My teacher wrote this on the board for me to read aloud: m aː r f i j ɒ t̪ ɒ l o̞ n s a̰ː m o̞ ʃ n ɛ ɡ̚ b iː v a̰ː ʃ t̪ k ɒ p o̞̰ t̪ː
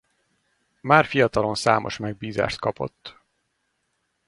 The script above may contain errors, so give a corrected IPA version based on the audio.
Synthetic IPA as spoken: m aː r f i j ɒ t̪ ɒ l o̞ n s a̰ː m o̞ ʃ m ɛ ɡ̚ b iː z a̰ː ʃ t̪ k ɒ p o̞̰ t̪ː